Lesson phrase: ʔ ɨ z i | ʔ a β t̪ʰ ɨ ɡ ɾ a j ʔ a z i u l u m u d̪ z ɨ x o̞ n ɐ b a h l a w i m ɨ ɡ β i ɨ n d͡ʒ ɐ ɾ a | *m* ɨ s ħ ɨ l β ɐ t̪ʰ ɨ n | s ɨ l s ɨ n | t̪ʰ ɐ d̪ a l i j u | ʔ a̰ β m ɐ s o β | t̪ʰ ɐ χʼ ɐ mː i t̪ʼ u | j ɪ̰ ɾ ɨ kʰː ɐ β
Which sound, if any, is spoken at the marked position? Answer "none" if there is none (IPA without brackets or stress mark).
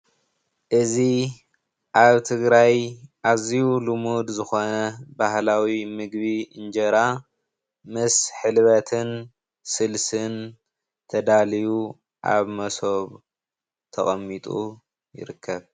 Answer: m